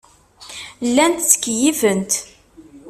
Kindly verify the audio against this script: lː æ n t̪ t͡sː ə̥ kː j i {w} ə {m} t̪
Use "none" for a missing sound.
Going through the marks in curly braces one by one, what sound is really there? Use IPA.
v, n

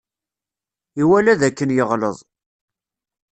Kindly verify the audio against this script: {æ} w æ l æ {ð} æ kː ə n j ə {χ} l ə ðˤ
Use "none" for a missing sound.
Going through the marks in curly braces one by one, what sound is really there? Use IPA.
i, ð, ʁ

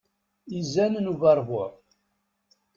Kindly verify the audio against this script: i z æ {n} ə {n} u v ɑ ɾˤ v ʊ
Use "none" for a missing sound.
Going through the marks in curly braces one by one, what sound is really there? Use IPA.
n, n

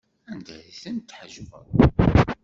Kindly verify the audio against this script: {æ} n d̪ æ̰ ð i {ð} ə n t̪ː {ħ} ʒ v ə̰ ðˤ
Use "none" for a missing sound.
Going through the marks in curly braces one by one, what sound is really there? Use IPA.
æ, θ, ħ

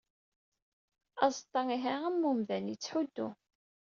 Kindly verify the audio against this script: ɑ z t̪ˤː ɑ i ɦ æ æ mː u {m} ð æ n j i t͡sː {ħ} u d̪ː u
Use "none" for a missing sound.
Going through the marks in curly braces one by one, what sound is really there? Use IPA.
m, ħ

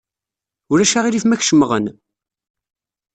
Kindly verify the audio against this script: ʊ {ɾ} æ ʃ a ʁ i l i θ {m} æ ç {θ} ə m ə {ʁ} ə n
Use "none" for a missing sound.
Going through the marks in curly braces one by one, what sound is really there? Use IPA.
ɾ, m, ʃ, ʁ

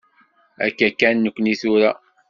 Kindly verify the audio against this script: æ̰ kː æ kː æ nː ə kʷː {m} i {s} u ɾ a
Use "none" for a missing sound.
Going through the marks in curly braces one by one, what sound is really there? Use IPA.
n, θ

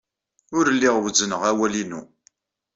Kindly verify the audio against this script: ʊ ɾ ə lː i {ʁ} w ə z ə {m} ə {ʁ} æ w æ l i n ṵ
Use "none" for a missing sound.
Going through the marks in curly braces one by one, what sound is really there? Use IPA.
ʁ, n, ʁ

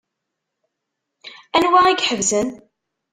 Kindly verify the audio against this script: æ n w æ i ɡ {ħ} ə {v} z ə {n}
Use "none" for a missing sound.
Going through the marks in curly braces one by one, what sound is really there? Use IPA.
ħ, v, n

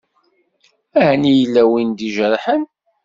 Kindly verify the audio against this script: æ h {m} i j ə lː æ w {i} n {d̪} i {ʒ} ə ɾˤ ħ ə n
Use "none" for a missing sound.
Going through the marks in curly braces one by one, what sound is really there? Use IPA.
n, i, d̪, ʒ

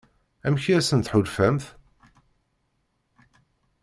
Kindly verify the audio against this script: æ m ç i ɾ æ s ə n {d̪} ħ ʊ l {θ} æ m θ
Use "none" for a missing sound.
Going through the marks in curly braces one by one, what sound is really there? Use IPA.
t̪, f

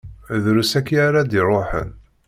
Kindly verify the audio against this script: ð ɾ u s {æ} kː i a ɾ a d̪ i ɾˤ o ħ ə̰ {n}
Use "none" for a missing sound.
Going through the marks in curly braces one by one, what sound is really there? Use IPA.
æ, n

